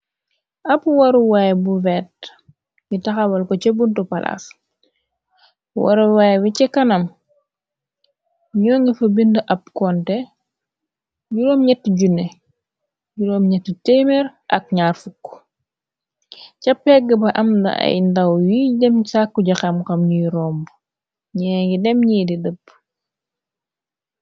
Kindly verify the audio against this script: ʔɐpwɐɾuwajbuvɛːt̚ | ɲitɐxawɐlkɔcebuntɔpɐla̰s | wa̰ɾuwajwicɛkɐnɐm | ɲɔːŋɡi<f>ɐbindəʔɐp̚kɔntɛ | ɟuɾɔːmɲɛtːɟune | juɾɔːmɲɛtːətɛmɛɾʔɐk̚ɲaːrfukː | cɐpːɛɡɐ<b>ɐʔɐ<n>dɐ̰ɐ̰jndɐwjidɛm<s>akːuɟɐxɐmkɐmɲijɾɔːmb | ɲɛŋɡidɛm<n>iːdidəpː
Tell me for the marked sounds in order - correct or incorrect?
correct, correct, incorrect: m, correct, incorrect: ɲ

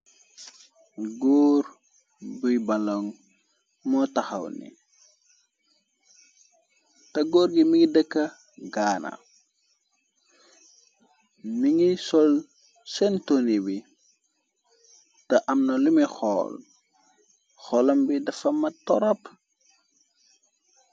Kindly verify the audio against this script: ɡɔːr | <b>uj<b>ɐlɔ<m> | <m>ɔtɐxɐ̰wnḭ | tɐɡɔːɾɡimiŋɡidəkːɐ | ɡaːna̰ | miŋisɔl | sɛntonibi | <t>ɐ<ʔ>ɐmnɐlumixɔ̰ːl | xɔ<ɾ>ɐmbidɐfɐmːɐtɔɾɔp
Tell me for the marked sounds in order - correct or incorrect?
correct, correct, incorrect: ŋ, correct, correct, correct, incorrect: l

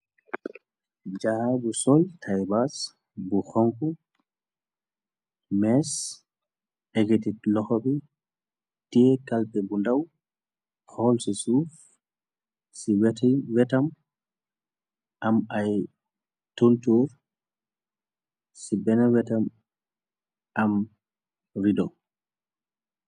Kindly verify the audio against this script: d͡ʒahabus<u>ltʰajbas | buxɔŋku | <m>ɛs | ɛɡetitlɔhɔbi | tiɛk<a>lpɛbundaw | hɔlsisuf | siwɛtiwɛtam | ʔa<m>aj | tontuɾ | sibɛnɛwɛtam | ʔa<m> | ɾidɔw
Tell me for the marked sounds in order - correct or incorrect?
incorrect: ɔ, correct, correct, correct, correct

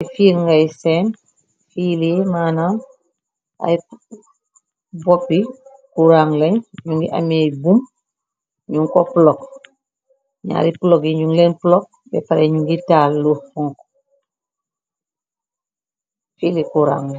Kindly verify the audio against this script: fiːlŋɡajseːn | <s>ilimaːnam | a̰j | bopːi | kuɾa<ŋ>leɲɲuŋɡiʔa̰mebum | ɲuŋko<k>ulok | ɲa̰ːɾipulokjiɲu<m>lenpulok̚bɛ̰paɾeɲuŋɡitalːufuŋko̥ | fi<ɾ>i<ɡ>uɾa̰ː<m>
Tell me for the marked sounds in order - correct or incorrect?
incorrect: f, correct, incorrect: p, incorrect: ŋ, incorrect: l, incorrect: k, incorrect: ŋ

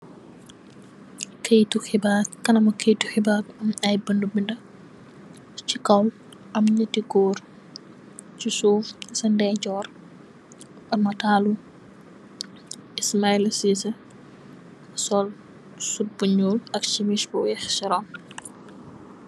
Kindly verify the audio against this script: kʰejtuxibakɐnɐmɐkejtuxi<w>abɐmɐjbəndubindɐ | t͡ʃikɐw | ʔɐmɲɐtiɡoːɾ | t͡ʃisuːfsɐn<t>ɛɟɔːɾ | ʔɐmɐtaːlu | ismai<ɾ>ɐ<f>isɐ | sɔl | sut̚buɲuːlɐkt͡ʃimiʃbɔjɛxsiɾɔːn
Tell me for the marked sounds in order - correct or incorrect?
incorrect: b, incorrect: d, incorrect: l, incorrect: s

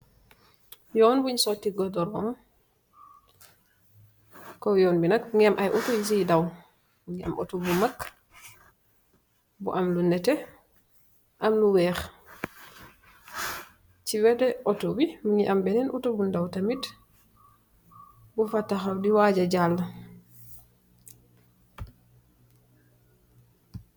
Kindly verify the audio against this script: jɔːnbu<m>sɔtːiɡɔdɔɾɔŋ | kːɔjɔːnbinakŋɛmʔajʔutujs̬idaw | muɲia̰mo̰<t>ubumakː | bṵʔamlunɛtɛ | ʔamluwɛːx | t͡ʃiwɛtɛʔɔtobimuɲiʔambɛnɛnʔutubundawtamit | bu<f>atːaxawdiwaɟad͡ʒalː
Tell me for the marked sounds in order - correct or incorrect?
incorrect: ɲ, correct, correct

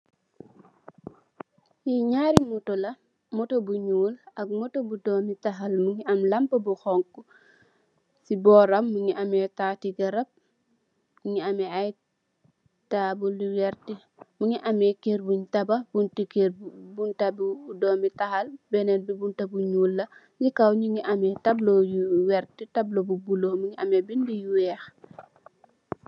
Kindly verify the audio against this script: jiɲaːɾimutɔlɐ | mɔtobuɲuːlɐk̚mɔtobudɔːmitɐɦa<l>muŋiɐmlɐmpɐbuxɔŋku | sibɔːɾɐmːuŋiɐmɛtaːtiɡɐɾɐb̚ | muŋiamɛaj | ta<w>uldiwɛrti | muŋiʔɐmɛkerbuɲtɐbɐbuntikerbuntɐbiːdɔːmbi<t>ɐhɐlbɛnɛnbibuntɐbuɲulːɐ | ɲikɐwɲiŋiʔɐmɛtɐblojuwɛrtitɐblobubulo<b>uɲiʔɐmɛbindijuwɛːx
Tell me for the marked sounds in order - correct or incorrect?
correct, incorrect: b, correct, incorrect: m

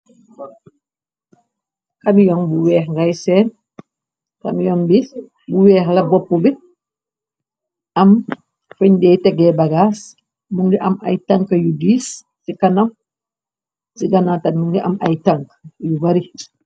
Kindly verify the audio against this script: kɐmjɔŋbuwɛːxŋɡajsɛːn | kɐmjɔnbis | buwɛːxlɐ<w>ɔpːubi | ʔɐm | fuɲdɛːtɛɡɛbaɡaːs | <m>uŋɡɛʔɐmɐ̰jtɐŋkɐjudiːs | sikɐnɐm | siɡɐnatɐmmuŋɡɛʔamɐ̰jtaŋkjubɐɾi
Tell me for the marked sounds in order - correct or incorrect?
incorrect: b, correct

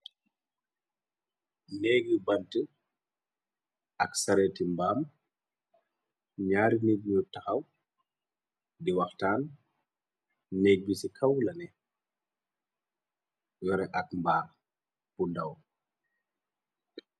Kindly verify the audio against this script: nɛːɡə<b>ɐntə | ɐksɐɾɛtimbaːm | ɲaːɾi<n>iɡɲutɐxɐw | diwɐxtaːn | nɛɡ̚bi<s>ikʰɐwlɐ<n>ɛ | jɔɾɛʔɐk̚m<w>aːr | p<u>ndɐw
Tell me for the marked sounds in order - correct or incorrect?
correct, correct, correct, correct, incorrect: b, correct

